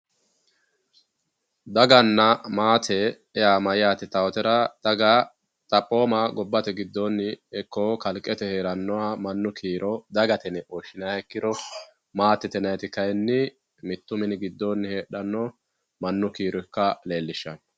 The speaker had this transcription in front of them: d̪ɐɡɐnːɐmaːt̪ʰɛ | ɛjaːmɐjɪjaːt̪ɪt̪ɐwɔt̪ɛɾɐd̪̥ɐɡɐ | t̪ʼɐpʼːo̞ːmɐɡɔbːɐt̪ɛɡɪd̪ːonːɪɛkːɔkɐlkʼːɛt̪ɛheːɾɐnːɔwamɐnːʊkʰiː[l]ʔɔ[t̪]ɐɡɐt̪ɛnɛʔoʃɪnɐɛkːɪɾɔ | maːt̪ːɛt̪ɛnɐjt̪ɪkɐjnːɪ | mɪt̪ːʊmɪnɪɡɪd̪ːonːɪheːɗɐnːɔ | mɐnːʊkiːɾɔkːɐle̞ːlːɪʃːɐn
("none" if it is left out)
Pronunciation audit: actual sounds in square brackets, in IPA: ɾ, d̪

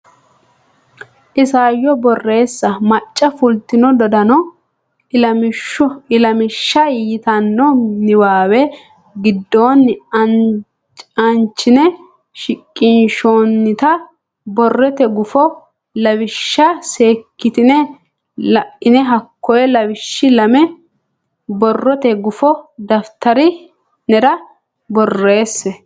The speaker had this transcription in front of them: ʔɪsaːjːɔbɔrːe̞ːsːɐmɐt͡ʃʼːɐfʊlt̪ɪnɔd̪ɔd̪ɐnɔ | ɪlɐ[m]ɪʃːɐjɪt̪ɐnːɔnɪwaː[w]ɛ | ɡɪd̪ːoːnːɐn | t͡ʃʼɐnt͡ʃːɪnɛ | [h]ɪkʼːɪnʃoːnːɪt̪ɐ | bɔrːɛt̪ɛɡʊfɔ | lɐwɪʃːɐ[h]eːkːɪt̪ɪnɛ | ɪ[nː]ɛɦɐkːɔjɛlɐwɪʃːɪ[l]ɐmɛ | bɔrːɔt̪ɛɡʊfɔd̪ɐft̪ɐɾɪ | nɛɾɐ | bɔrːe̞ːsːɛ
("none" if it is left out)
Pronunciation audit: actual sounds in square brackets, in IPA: m, w, ʃ, s, n, l

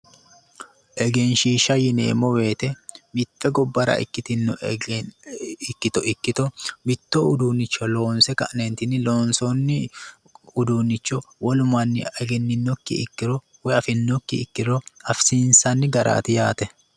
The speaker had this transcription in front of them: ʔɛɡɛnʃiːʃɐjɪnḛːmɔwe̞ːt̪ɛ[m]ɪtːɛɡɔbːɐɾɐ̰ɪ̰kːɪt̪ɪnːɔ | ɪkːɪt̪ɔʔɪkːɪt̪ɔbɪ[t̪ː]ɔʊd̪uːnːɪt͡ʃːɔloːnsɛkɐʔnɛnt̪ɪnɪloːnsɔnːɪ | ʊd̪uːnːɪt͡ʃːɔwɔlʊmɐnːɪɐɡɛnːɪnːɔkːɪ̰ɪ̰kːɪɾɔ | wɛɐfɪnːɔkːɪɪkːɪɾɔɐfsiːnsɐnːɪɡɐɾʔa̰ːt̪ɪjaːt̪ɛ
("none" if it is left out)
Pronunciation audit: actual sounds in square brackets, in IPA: m, t̪ː

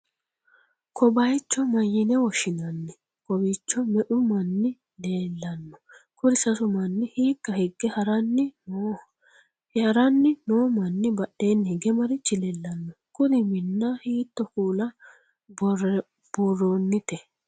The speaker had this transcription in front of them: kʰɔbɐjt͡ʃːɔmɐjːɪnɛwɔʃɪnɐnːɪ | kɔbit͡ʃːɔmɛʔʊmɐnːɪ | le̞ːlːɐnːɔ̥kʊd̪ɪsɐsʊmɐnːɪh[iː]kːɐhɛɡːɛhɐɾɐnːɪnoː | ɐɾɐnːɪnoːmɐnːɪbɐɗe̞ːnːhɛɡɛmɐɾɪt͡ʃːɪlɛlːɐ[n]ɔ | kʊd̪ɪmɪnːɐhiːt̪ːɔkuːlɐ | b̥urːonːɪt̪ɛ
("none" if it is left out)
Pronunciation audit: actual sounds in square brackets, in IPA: iː, nː

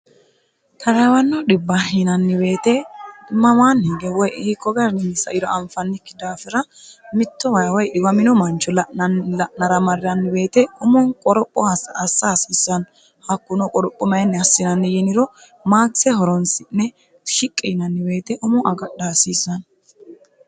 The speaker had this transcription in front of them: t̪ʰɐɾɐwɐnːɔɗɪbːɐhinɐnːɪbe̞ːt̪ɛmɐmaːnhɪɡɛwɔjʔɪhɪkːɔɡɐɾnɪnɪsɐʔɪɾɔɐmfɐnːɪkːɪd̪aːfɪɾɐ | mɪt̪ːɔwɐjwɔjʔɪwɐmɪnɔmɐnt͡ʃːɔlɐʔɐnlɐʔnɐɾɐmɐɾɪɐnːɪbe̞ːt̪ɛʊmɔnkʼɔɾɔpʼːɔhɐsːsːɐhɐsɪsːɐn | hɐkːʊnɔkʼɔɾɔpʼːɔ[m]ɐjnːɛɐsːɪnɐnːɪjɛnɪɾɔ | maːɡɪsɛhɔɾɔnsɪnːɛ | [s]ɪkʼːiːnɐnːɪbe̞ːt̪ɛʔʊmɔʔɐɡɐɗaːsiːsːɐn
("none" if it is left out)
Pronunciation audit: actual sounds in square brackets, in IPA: m, ʃ

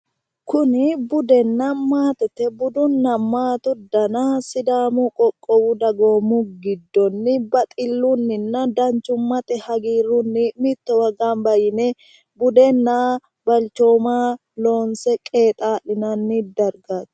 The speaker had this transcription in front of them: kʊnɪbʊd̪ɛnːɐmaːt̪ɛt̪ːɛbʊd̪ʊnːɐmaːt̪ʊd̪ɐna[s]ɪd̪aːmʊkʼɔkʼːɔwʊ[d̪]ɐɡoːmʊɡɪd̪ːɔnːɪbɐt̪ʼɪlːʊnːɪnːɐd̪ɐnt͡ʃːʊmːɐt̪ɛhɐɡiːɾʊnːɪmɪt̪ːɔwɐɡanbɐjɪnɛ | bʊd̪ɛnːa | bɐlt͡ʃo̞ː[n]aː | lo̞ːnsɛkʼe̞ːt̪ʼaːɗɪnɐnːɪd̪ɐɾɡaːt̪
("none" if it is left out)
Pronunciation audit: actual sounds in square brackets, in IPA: s, d̪, m

